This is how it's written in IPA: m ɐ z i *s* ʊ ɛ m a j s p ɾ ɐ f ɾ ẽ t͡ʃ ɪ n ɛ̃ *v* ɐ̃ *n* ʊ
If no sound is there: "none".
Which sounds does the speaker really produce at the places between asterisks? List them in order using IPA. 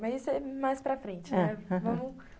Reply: s, v, m

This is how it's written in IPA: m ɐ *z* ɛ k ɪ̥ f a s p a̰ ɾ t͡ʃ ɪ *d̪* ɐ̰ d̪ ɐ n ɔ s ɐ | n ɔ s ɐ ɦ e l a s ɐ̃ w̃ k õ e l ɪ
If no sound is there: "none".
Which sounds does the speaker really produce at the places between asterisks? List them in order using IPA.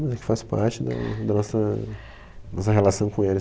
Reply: z, d̪

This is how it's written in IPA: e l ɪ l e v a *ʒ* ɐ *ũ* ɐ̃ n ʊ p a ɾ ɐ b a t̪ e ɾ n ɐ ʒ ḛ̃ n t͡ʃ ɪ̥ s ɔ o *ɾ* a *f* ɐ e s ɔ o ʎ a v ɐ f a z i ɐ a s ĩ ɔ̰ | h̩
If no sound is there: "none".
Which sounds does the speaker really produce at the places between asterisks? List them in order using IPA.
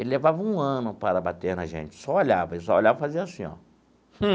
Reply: v, ũ, ʎ, v

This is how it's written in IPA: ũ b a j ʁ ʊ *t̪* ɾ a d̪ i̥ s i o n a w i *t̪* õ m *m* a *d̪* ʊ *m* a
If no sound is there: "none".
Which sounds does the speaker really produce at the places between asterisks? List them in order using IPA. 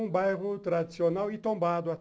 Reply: t̪, t̪, b, d̪, none

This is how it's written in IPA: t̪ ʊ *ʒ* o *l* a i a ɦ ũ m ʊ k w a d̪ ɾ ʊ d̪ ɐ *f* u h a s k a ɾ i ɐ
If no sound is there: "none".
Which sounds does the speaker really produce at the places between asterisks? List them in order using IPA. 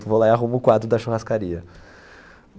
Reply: v, l, ʃ

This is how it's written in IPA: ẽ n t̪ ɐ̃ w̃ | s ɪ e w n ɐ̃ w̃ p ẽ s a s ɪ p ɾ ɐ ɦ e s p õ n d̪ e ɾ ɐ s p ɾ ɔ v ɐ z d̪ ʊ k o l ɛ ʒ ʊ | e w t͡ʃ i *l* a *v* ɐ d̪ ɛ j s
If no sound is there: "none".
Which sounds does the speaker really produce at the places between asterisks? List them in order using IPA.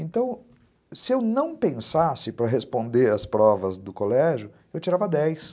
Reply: ɾ, v

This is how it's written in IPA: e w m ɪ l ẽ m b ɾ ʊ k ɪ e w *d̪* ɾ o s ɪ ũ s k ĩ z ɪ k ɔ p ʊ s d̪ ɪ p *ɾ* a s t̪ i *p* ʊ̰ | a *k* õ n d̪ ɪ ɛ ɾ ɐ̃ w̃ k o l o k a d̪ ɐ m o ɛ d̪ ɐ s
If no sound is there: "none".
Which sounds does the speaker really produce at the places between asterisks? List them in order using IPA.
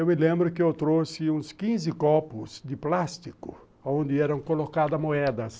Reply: t̪, l, k, none

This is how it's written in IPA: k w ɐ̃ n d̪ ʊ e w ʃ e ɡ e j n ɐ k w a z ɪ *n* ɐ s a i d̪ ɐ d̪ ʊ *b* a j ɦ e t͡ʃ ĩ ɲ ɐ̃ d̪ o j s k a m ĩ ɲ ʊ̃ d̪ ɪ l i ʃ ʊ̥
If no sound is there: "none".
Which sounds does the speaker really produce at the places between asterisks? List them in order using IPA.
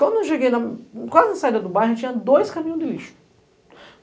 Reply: n, b

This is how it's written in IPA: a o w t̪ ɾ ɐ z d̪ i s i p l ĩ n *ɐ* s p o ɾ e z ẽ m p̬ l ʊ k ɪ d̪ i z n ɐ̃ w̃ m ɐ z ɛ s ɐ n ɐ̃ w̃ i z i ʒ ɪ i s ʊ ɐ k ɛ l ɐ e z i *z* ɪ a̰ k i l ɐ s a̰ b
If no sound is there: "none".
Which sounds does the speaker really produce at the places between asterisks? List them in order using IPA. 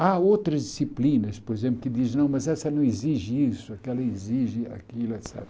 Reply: ɐ, ʒ

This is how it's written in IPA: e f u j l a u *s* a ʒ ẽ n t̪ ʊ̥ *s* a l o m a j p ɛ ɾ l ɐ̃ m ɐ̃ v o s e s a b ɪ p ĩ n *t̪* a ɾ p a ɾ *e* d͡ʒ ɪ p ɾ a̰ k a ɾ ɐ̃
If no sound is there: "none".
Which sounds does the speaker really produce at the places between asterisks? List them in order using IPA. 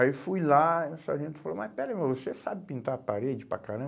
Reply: s, f, t̪, e

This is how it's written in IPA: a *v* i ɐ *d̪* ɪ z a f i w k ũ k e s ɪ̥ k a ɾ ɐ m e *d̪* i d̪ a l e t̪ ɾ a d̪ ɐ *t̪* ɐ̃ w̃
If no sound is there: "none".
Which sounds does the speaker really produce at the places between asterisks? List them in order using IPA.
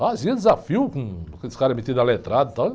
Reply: z, d̪, t̪, t̪

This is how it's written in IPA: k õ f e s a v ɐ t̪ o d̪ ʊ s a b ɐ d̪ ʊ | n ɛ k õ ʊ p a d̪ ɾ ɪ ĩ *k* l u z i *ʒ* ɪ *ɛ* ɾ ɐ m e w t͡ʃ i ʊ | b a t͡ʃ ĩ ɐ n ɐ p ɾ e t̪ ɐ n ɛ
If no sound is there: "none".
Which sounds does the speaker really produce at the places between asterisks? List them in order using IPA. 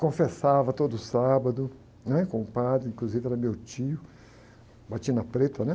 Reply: k, v, ɛ

